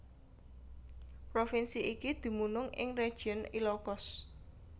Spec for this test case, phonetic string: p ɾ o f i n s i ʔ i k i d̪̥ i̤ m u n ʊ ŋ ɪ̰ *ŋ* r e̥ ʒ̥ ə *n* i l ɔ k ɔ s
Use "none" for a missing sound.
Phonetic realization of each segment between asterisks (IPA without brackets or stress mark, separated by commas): ŋ, n